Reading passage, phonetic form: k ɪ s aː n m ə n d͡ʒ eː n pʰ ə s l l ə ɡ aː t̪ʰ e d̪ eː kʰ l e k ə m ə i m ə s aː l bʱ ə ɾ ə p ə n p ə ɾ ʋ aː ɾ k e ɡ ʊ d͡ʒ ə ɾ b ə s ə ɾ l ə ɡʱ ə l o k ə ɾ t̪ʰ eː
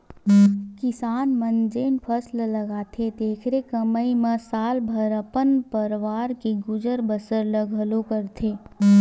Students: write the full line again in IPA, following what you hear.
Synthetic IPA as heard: k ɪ s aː n m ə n d͡ʒ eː n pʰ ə s l l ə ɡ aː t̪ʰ e d̪ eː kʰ ɾ e k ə m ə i m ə s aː l bʱ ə ɾ ə p ə n p ə ɾ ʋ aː ɾ k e ɡ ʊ d͡ʒ ə ɾ b ə s ə ɾ l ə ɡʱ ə l o k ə ɾ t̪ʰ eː